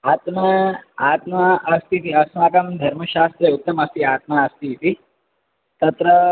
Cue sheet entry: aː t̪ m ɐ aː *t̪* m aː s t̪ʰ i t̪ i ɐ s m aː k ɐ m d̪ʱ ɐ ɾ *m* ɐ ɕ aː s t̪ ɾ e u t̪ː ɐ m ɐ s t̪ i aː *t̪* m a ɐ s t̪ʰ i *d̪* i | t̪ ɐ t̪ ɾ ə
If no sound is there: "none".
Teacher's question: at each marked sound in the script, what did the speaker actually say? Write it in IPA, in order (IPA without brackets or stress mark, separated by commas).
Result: t̪, m, t̪, t̪